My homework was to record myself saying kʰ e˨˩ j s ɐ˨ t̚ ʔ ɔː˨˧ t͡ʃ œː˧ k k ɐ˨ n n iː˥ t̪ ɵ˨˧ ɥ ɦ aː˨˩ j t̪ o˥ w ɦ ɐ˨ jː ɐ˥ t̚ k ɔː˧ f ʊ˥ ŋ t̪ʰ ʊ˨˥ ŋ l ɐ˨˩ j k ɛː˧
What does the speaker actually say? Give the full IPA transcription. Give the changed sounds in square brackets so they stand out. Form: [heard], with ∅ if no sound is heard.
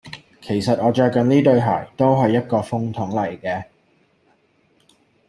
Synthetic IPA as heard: kʰ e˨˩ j s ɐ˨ t̚ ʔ ɔː˨˧ t͡ʃ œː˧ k k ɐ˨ n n iː˥ t̪ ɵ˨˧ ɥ ɦ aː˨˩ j t̪ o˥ w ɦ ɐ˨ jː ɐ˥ t̚ k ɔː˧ f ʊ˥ ŋ t̪ʰ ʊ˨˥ ŋ l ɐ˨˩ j k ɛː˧